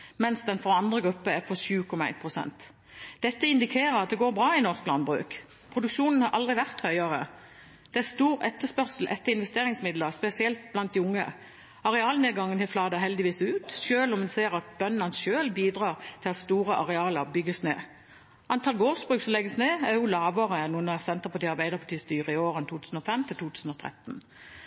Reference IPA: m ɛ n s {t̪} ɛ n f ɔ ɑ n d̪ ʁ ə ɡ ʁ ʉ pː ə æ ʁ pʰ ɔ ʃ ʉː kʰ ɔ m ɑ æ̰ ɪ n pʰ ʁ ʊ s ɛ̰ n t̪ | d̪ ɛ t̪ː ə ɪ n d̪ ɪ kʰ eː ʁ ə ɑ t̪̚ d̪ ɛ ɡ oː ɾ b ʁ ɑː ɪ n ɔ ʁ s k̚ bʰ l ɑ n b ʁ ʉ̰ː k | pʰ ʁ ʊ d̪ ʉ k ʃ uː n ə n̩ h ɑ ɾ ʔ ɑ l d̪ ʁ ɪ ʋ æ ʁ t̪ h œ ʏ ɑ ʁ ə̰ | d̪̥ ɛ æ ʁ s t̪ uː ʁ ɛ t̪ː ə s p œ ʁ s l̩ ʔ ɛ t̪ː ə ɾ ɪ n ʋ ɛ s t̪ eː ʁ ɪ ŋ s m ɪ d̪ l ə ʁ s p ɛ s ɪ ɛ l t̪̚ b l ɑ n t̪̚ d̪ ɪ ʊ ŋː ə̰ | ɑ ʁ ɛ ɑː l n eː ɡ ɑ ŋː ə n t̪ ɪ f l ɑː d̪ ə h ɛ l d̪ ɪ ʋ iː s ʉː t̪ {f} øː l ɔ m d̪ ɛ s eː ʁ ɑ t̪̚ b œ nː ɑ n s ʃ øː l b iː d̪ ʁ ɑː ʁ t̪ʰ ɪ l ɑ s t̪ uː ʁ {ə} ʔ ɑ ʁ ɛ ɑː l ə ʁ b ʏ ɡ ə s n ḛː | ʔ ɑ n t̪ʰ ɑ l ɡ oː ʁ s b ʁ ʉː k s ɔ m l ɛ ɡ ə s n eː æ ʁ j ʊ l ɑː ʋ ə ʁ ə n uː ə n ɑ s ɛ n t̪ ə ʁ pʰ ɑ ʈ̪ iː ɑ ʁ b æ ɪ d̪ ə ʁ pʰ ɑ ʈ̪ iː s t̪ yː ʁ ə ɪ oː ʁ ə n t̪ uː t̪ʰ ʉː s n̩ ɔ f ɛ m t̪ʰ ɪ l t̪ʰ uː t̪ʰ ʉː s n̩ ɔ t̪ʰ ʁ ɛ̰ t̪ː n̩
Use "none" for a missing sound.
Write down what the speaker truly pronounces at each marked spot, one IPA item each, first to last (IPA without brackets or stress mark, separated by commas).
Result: d̪, ʃ, ə